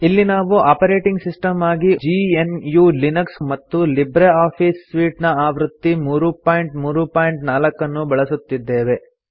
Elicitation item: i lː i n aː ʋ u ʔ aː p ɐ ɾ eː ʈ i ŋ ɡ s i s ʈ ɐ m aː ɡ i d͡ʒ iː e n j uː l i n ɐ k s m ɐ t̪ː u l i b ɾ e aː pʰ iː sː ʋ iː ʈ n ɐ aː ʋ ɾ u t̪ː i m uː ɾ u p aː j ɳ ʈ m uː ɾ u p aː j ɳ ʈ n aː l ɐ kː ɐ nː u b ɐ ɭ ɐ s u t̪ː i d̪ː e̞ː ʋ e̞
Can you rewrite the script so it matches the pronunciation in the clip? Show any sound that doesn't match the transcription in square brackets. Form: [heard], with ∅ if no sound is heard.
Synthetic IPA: i lː i n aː ʋ u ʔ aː p ɐ ɾ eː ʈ i ŋ ɡ s i s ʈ ɐ m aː ɡ i d͡ʒ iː e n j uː l i n ɐ k s m ɐ t̪ː u l i b ɾ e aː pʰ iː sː ʋ iː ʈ n ɐ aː ʋ ɾ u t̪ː i m uː ɾ u p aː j ɳ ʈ m uː ɾ u p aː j ɳ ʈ n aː l ɐ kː ɐ nː u b ɐ ɭ ɐ s u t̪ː i d̪ː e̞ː ʋ e̞